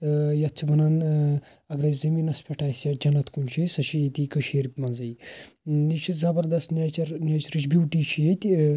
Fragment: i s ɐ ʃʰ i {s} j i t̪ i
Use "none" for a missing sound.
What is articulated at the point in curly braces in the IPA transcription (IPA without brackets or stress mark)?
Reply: none